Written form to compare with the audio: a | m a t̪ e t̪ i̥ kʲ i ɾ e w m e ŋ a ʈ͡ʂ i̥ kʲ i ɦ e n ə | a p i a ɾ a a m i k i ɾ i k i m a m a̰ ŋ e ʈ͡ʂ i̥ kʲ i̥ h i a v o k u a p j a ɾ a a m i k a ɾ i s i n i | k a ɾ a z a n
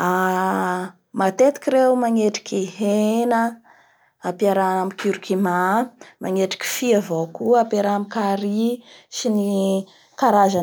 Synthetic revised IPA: a | m a t̪ e t̪ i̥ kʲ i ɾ e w m a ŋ e ʈ͡ʂ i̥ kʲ i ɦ e n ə | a p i a ɾ a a m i k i ɾ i k i m a m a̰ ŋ e ʈ͡ʂ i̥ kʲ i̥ f i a v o k u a p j a ɾ a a m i k a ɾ i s i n i | k a ɾ a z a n